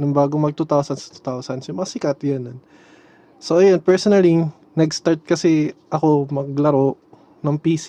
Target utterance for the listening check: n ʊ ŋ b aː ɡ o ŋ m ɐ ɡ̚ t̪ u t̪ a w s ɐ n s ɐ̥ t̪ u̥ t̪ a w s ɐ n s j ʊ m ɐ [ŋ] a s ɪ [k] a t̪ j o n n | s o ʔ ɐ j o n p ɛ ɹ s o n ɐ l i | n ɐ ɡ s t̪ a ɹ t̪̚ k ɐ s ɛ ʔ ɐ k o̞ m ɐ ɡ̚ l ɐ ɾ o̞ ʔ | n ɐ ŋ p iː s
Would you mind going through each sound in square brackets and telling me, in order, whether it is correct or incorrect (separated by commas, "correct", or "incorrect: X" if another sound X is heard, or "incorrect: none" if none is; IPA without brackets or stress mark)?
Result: correct, correct